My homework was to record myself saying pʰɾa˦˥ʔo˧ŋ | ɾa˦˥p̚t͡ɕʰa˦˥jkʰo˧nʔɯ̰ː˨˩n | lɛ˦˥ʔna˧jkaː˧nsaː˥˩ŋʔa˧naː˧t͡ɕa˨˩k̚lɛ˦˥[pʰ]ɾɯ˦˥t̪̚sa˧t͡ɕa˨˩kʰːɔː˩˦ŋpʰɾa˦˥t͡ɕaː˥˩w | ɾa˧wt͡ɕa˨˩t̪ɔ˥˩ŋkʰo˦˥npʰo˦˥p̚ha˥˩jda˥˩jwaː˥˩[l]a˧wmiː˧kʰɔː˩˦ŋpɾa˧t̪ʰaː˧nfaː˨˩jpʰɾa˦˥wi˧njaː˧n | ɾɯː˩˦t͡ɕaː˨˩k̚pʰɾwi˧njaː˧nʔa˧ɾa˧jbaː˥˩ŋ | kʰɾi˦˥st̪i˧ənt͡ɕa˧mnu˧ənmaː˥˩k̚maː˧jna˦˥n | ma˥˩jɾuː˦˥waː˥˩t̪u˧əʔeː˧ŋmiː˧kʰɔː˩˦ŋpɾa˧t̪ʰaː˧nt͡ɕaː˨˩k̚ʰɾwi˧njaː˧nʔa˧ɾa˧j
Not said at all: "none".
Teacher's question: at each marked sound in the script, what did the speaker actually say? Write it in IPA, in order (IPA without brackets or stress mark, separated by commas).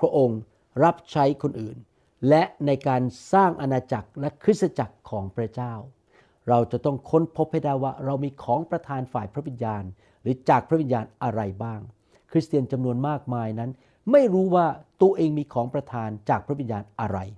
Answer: kʰ, ɾ